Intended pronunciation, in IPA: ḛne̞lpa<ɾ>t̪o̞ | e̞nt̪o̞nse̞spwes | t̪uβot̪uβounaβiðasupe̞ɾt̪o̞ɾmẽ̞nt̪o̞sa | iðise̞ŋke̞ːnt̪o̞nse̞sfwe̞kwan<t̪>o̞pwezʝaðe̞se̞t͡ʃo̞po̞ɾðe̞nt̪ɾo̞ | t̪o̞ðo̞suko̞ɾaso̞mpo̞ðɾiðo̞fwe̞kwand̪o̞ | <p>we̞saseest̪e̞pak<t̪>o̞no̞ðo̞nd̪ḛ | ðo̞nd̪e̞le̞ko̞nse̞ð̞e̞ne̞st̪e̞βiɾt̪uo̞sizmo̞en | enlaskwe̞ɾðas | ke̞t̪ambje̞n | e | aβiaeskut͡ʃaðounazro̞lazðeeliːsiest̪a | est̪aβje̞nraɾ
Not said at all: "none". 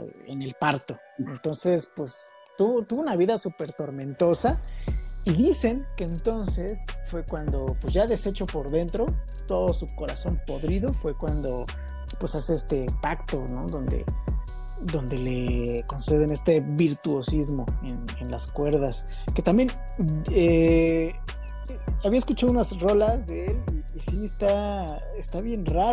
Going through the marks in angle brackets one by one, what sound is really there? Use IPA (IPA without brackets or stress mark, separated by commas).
ɾ, d̪, p, t̪